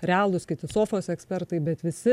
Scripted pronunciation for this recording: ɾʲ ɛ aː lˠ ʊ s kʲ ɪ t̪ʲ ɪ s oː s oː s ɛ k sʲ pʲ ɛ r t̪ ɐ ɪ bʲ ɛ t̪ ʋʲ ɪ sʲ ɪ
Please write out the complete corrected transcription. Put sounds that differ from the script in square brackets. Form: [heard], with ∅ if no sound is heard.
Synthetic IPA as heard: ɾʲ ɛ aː lˠ ʊ s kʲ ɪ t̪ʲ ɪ s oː [f] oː s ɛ k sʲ pʲ ɛ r t̪ ɐ ɪ bʲ ɛ t̪ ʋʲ ɪ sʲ ɪ